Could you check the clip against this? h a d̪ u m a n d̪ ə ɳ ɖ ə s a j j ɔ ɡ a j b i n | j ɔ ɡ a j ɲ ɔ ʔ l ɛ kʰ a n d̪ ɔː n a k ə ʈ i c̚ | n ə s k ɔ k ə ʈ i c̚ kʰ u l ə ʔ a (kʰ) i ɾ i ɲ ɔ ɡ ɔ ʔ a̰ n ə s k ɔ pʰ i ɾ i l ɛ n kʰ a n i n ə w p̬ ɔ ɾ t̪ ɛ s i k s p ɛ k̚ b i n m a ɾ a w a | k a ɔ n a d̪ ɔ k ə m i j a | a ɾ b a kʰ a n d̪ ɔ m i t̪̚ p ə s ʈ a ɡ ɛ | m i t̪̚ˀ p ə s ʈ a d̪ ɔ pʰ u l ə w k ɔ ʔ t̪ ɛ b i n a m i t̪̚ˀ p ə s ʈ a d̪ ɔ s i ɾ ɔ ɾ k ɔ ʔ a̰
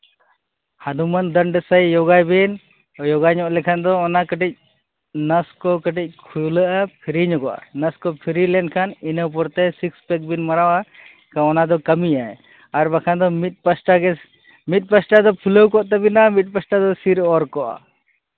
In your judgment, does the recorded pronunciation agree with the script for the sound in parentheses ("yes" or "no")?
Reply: no